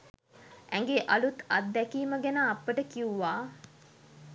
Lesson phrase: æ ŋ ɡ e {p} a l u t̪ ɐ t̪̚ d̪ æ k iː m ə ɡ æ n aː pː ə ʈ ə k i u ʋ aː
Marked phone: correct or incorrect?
incorrect